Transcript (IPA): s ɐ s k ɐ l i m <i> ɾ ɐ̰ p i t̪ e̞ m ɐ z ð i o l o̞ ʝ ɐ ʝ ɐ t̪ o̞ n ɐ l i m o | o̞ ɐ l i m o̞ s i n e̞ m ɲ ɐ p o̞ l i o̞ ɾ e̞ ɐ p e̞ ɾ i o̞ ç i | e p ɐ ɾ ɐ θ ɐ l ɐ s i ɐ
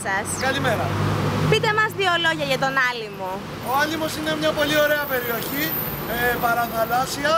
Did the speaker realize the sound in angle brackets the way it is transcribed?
no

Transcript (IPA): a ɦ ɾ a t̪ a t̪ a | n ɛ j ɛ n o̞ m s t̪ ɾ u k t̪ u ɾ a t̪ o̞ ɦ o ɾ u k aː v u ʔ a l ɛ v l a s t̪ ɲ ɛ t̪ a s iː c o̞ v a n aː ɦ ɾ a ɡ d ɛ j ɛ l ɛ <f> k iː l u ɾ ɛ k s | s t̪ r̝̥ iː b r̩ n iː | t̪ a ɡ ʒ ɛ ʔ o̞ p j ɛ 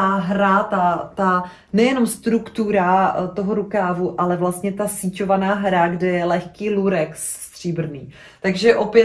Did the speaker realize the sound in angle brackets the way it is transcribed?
no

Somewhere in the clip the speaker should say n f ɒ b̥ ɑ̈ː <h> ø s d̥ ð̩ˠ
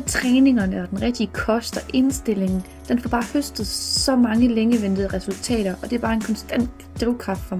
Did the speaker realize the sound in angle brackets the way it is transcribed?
yes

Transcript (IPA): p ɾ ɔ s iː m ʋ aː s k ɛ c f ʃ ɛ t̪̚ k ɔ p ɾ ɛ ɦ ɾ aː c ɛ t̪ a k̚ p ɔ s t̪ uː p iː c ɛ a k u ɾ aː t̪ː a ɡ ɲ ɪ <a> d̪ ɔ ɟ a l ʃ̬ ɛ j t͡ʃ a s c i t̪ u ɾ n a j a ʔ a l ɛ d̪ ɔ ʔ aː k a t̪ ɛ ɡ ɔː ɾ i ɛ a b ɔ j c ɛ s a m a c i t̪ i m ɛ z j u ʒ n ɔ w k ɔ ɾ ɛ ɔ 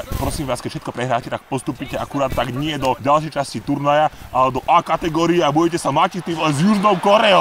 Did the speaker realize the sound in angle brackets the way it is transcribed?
no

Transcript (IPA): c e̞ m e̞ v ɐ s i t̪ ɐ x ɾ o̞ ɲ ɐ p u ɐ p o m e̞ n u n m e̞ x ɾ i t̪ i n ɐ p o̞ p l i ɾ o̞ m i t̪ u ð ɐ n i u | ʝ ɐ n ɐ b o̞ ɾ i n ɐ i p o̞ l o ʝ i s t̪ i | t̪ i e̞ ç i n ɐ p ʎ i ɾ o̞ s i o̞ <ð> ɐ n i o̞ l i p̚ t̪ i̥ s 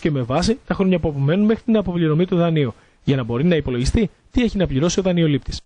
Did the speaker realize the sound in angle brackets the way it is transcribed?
yes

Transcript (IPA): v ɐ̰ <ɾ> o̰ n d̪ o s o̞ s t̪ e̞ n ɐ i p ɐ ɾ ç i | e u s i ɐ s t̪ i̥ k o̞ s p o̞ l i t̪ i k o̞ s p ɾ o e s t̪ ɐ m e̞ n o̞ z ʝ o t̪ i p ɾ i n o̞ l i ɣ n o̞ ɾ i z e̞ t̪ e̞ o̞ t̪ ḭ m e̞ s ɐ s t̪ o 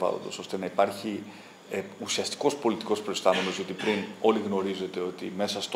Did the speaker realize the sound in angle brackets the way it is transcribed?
no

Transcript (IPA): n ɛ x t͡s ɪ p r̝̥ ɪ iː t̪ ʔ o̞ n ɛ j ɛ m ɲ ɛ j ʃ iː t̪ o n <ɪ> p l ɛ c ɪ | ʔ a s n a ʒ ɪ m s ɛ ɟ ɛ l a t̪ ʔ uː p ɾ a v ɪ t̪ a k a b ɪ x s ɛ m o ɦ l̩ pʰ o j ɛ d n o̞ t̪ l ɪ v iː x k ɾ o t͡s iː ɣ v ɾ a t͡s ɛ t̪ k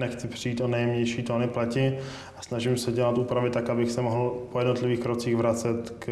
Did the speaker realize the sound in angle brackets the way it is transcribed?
yes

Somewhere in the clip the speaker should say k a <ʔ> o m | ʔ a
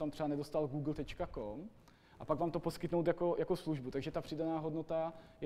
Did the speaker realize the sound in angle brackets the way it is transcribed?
no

